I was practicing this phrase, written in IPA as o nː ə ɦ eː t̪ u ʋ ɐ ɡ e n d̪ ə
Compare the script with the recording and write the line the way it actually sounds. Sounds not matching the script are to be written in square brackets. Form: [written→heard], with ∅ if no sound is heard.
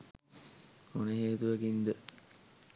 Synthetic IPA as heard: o [nː→n] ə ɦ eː t̪ u ʋ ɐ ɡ [e→i] n d̪ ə